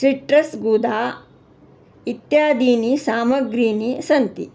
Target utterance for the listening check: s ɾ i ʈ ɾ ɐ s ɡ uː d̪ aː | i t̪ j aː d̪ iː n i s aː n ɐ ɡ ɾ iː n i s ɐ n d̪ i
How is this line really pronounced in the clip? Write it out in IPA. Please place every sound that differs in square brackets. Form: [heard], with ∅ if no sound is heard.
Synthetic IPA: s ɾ i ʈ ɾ ɐ s ɡ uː d̪ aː | i t̪ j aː d̪ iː n i s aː [m] ɐ ɡ ɾ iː n i s ɐ n [t̪] i